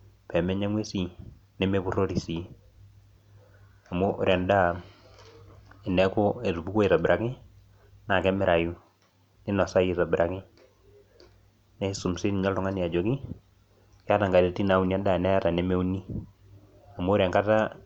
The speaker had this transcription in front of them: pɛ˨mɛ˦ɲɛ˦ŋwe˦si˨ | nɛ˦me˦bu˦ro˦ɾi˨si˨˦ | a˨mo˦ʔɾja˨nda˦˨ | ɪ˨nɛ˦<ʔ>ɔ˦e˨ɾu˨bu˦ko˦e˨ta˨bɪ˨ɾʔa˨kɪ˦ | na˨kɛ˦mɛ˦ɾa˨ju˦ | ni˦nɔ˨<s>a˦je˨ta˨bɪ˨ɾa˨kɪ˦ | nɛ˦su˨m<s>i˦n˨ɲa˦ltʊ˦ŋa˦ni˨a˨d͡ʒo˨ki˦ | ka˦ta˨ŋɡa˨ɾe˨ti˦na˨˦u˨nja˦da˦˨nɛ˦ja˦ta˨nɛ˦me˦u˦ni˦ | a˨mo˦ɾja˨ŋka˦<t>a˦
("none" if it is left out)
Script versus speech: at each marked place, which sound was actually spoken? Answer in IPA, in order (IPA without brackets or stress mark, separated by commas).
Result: k, s, s, t